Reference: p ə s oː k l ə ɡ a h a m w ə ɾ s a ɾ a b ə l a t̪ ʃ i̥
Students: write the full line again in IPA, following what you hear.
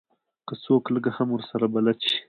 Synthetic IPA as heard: k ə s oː k l ə ɡ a h a m w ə ɾ s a ɾ a b a l a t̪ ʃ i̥